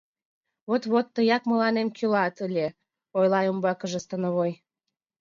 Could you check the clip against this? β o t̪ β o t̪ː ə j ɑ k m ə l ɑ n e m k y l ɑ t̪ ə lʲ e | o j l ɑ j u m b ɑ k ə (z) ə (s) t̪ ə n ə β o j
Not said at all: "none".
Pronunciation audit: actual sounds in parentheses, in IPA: ʒ, s

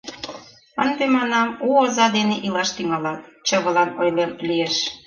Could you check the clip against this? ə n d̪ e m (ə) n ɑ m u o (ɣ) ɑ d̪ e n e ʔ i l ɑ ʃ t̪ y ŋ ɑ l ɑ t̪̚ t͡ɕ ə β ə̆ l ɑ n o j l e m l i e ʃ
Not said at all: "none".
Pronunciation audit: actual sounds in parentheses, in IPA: ɑ, z

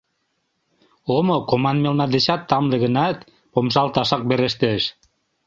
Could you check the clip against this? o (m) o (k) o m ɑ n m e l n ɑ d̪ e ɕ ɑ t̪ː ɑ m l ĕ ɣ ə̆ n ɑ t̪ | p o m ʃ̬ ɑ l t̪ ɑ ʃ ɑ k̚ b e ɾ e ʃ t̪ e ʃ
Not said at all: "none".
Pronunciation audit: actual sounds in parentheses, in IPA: m, k

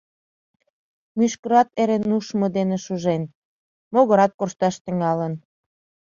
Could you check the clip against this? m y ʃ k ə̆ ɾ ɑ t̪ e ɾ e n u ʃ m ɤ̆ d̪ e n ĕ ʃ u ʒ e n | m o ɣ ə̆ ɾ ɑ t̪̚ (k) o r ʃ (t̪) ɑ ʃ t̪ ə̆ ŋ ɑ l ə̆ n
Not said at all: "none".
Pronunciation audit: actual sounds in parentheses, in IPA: k, t̪

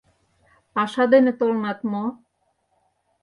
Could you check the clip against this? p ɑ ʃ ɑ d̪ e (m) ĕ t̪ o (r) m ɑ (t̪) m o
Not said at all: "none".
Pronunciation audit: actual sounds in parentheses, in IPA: n, l, t̪

